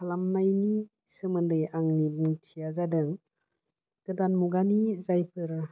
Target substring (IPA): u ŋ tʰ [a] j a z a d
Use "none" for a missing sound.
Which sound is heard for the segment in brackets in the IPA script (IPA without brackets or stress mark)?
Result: i